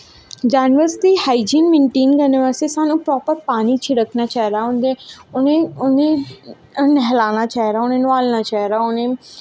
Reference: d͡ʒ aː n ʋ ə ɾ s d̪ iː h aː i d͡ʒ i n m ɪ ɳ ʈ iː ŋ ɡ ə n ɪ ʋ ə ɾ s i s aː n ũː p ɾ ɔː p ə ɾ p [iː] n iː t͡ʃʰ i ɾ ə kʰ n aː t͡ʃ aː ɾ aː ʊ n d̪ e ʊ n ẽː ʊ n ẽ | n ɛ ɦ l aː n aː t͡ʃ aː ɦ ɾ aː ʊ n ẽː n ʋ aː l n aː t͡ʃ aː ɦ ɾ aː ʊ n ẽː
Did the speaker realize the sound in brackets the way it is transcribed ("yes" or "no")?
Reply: no